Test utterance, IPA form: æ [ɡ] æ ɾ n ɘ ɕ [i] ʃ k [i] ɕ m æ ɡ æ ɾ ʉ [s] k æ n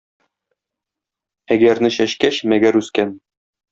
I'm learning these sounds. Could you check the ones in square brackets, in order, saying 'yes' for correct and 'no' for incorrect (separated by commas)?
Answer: yes, no, no, yes